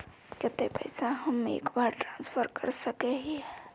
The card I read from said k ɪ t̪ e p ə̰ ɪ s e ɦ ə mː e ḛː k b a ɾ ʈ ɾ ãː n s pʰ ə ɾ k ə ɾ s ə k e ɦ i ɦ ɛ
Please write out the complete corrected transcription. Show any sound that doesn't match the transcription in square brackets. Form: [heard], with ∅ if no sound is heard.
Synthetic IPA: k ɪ t̪ e p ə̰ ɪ s [a] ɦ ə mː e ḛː k b a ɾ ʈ ɾ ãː n s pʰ ə ɾ k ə ɾ s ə k e ɦ i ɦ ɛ